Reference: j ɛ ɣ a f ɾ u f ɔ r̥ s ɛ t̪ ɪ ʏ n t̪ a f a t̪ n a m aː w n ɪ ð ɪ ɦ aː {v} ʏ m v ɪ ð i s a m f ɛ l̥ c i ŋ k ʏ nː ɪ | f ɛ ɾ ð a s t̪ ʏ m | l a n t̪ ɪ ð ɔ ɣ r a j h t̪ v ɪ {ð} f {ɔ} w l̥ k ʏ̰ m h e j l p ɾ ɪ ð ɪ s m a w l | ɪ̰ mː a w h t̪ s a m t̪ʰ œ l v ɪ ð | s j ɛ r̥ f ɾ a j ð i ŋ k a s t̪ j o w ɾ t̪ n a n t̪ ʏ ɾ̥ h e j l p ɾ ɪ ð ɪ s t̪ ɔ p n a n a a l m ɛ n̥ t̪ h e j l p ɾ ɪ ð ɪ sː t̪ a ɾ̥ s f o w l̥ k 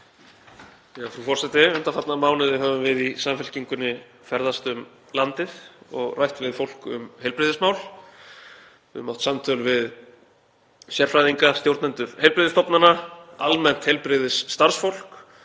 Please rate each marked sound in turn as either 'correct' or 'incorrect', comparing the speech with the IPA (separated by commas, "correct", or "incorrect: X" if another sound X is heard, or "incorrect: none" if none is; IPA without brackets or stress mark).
correct, correct, incorrect: o